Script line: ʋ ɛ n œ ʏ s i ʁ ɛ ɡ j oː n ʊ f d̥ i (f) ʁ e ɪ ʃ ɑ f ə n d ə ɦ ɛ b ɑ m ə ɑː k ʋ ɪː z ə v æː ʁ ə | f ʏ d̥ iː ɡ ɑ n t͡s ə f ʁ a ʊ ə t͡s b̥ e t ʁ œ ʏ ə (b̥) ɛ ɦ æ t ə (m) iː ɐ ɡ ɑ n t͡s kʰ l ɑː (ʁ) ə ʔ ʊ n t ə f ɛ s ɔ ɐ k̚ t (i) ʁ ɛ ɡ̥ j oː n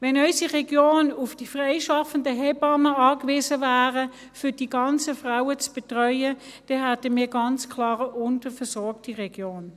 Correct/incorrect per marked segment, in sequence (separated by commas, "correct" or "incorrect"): correct, incorrect, correct, correct, correct